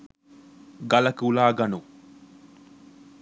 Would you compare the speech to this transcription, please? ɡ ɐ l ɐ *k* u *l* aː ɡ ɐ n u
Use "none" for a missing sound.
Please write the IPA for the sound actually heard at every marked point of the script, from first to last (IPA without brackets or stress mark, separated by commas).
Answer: k, l